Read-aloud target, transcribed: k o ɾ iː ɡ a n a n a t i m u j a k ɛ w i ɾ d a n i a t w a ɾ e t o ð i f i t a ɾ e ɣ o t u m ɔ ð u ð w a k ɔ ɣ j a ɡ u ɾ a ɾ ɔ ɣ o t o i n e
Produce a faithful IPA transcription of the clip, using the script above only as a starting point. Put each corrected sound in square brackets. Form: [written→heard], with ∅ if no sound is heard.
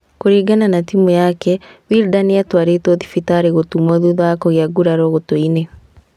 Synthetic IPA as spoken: k o ɾ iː ɡ a n a n a t i m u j a k ɛ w i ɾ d a n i a t w a ɾ e t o ð i f i t a ɾ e ɣ o t u m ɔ ð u ð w a k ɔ ɣ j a ɡ u ɾ a ɾ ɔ ɣ o t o i n e

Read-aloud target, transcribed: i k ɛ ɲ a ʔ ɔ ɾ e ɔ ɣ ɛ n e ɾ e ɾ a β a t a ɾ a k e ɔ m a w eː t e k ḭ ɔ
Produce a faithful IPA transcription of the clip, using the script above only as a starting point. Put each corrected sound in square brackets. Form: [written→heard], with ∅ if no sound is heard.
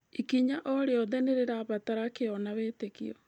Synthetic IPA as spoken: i k [ɛ→i] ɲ a ʔ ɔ ɾ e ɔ [ɣ→ð] ɛ n e ɾ e ɾ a β a t a ɾ a k e ɔ [m→n] a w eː t e k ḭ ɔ

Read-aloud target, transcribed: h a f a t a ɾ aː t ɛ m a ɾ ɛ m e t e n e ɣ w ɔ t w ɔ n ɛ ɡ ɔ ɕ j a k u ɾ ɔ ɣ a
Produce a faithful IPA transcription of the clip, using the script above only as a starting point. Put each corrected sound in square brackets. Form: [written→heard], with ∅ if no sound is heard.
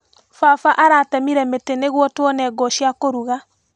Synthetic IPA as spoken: [h→f] a f a [t→ʔ] a ɾ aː t ɛ m [a→i] ɾ ɛ m e t e n e ɣ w ɔ t w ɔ n ɛ ɡ ɔ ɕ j a k [u→o] ɾ [ɔ→u] ɣ a

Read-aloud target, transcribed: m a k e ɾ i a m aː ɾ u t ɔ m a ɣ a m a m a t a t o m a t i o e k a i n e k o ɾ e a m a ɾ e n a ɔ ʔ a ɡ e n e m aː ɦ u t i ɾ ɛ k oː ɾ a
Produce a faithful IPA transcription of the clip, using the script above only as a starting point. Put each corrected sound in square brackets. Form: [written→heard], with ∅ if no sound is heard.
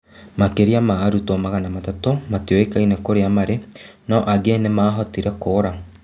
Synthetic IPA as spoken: m a k e ɾ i a m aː ɾ u t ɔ m a ɣ a [m→n] a m a t a t o m a t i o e k a i n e k o ɾ e a m a ɾ e n a ɔ ʔ a ɡ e n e m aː ɦ [u→ɔ] t i ɾ ɛ k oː ɾ a

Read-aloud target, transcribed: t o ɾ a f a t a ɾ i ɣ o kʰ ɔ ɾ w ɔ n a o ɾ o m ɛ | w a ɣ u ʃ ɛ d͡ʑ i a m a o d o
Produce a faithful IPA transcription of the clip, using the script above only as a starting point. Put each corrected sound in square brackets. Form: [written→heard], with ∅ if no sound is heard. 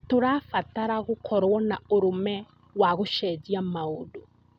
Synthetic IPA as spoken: t o ɾ a f a t a ɾ [i→a] ɣ o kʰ ɔ ɾ w ɔ n a o ɾ o m ɛ | w a ɣ [u→o] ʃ ɛ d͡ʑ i a m a o d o

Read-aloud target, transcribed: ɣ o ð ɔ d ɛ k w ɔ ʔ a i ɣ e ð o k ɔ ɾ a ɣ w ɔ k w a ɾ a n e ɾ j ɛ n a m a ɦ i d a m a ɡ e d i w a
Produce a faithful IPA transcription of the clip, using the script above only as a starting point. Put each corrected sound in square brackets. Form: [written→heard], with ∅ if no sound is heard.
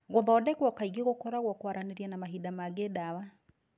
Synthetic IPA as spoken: ɣ o ð ɔ d ɛ k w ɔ [ʔ→k] a i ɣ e [ð→ɣ] o k ɔ ɾ a ɣ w ɔ k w a ɾ a n e ɾ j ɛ n a m a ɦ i d a m a ɡ e d [i→a] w a

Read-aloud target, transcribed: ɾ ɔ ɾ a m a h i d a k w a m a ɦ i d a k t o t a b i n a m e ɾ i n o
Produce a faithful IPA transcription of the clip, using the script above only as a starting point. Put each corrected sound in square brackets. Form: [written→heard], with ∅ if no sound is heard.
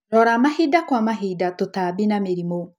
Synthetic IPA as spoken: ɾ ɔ ɾ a m a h i d a k w a m a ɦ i d a [k→∅] t o t a b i n a m e ɾ i [n→m] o

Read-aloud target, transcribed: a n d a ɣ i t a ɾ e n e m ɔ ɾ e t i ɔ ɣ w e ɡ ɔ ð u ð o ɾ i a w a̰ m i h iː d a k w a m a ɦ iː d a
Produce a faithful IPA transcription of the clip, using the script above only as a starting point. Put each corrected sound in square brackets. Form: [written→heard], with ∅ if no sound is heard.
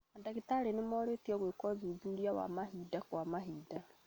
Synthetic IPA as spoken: a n d a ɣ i t a ɾ e n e m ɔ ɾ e t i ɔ ɣ w e [ɡ→k] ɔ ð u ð [o→u] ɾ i a w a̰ m [i→a] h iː d a k w a m a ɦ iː d a

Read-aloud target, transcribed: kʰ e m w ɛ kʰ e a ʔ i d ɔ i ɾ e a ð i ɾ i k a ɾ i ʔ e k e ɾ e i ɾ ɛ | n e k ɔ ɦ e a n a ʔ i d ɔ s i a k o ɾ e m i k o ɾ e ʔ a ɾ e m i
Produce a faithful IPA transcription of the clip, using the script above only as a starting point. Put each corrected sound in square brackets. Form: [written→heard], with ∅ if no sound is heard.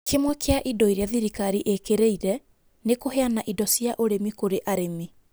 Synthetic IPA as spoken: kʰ e m w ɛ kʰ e a ʔ i d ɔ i ɾ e a ð i ɾ i k a ɾ i ʔ e k e ɾ e i ɾ ɛ | n e k [ɔ→o] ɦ e a n a ʔ i d ɔ s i a [k→ʔ] o ɾ e m i k o ɾ e ʔ a ɾ e m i

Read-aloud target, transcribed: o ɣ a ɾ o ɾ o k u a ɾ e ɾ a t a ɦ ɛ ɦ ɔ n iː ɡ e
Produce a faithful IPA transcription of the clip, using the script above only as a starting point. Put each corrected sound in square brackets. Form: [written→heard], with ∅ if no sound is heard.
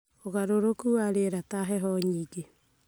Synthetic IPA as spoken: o ɣ a ɾ o ɾ o k u a ɾ e ɾ a t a ɦ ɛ ɦ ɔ [n→ɲ] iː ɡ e

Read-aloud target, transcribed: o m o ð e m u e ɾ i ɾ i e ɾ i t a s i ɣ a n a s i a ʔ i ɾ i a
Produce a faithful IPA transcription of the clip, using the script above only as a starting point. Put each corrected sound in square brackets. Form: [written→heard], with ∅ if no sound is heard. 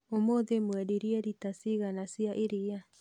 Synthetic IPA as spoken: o m o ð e m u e ɾ i ɾ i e ɾ i t a s i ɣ a n a s i a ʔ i ɾ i a

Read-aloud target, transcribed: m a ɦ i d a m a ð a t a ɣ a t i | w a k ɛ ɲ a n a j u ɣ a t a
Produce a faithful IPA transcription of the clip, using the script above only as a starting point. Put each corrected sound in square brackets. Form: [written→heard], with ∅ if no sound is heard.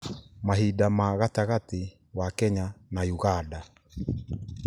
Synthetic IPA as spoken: m a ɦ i d a m a [ð→ɣ] a t a ɣ a t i | w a k ɛ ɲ a n a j u ɣ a [t→d] a

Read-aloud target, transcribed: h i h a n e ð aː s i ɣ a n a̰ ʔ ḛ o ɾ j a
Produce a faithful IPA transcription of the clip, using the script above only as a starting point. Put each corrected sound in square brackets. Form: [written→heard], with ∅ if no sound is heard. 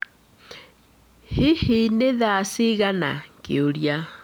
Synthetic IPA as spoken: h i h [a→i] n e ð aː s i ɣ a n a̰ [ʔ→k] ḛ o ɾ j a

